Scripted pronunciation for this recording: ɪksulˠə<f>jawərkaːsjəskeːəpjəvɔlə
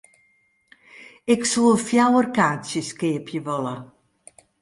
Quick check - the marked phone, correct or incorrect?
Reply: correct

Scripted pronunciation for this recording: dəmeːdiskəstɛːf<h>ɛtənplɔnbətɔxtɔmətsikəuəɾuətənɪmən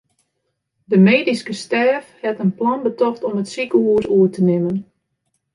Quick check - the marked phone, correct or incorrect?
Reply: correct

